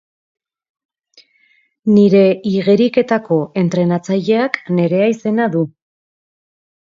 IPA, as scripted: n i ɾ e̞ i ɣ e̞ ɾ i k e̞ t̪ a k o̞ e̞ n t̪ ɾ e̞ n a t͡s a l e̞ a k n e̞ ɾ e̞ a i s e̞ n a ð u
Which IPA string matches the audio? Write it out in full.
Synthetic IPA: n i ɾ e̞ i ɣ e̞ ɾ i k e̞ t̪ a k o̞ e̞ n t̪ ɾ e̞ n a t͡s a ʎ e̞ a k n e̞ ɾ e̞ a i s e̞ n a ð u